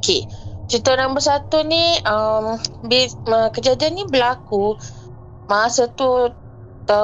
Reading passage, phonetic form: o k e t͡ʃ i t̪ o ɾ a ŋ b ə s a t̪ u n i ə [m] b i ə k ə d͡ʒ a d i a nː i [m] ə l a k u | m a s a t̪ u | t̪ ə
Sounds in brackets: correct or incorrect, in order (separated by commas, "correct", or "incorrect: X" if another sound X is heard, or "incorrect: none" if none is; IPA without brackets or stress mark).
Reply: correct, incorrect: b